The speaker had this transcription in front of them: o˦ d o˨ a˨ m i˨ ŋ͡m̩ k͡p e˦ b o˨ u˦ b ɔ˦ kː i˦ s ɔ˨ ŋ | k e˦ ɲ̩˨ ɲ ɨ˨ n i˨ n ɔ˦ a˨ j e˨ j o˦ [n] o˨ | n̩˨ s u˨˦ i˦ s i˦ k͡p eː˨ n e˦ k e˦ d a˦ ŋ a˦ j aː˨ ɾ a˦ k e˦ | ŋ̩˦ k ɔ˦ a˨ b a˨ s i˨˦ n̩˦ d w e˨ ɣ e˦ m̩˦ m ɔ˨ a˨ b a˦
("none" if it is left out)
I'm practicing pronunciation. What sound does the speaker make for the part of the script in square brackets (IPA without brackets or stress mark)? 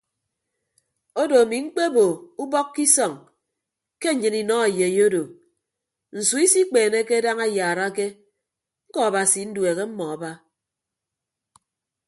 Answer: d